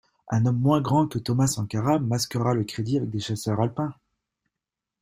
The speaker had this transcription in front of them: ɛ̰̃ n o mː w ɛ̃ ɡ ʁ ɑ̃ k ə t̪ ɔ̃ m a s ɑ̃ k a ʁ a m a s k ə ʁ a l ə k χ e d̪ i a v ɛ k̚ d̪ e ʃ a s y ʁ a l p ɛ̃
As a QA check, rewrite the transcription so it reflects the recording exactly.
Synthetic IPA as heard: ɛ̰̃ n ɔ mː w ɛ̃ ɡ ʁ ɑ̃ k ə t̪ ɔ m a s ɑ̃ k a ʁ a m a s k ə ʁ a l ə k χ e d̪ i a v ɛ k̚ d̪ e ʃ a s œ ʁ a l p ɛ̃